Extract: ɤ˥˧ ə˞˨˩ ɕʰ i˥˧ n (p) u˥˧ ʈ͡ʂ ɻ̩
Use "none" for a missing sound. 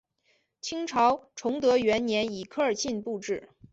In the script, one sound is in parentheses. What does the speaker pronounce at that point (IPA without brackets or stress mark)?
p